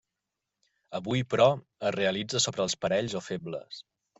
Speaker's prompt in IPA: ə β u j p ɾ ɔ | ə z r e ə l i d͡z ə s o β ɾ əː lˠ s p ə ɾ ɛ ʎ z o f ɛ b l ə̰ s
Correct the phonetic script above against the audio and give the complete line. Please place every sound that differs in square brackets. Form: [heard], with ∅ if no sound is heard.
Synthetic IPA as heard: ə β u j p ɾ ɔ | ə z r e ə l i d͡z ə s o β ɾ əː lˠ s p ə ɾ ɛ ʎ z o f [e] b l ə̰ s